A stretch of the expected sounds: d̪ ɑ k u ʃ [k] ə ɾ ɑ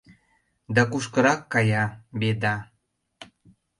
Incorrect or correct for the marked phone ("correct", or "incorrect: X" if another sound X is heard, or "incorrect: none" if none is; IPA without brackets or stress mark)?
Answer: correct